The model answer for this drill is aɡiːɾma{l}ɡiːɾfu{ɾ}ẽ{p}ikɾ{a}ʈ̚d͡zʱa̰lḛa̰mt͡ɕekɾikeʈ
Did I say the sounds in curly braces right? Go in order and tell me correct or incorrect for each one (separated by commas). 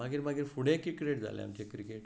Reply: incorrect, incorrect, incorrect, incorrect